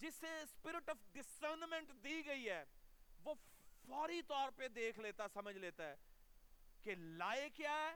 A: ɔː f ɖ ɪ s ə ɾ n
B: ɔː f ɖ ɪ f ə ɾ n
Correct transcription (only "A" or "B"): A